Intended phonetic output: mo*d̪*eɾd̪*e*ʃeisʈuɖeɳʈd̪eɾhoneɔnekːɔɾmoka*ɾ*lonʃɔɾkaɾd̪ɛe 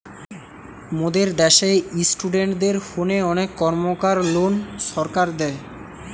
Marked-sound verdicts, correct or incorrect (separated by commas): correct, incorrect, correct